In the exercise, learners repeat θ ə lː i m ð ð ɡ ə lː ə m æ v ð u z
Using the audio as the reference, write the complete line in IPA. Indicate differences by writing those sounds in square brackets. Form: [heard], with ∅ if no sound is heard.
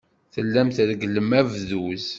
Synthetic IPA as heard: θ ə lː [æ] m [θ] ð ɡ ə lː ə m æ v ð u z

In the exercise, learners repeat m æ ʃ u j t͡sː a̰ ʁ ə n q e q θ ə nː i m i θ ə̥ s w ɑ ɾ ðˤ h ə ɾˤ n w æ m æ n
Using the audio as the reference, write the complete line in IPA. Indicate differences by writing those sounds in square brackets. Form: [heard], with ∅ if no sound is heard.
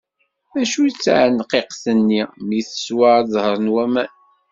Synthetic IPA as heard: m æ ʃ u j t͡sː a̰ [ʕ] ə n q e q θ ə nː i m i θ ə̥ s w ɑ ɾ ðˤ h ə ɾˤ n w æ m æ n

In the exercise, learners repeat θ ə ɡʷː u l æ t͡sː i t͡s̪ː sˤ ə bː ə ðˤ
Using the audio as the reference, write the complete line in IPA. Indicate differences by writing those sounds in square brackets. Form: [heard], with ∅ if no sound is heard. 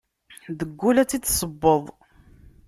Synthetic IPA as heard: [ð] ə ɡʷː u l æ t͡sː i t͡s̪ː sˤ ə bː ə ðˤ

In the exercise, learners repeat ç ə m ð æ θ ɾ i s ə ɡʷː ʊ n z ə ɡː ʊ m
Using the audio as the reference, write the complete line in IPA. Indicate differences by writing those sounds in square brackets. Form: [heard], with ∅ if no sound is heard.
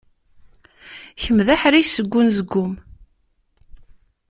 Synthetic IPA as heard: ç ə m ð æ [ħ] ɾ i s ə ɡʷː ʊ n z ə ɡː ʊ m

